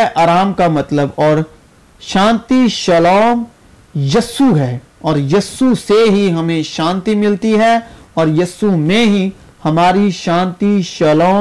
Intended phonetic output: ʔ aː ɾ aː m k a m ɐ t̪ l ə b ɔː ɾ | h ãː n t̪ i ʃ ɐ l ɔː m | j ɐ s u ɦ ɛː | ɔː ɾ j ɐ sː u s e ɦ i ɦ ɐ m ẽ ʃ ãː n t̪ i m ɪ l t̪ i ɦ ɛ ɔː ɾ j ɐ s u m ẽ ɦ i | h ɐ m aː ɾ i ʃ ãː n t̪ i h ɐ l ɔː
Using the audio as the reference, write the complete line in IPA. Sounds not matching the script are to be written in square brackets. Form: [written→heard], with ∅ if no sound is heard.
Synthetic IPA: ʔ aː ɾ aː m k a m ɐ t̪ l ə b ɔː ɾ | [h→ʃ] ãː n t̪ i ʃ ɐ l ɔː m | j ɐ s u ɦ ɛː | ɔː ɾ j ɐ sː u s e ɦ i ɦ ɐ m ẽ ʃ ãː n t̪ i m ɪ l t̪ i ɦ ɛ ɔː ɾ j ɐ s u m ẽ ɦ i | h ɐ m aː ɾ i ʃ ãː n t̪ i [h→ʃ] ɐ l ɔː